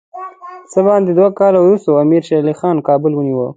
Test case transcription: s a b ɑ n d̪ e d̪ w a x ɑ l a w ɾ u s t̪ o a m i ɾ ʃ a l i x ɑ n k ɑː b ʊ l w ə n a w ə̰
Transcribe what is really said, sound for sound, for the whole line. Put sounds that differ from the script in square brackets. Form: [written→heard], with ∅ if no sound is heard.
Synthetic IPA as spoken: s [a→ə] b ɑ n d̪ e d̪ w a [x→k] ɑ l a w ɾ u s t̪ o a m i ɾ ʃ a l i x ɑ n k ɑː b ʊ l w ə n [a→i] w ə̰